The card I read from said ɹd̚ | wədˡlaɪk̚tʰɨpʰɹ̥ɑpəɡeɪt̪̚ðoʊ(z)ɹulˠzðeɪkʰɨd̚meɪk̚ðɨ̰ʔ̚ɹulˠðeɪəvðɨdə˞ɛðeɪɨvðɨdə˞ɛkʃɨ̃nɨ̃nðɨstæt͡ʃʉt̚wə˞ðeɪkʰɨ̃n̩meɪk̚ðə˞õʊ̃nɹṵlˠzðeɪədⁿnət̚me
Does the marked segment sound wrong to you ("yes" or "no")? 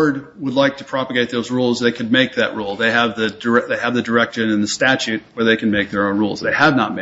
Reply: no